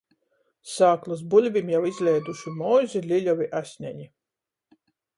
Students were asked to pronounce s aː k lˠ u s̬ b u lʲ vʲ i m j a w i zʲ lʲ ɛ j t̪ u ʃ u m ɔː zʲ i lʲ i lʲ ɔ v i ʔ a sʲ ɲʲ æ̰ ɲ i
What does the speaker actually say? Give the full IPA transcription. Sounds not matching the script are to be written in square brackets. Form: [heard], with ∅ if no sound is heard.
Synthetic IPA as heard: s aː k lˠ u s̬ b u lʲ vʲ i m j a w i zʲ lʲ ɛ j [d̪] u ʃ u m ɔː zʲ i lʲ i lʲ ɔ v i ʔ a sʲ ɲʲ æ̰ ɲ i